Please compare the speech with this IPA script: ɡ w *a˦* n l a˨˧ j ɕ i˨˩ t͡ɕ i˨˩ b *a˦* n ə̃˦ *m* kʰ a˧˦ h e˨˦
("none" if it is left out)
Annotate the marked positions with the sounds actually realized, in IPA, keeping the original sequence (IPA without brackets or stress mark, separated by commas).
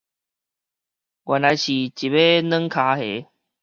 a˨, e˦, ŋ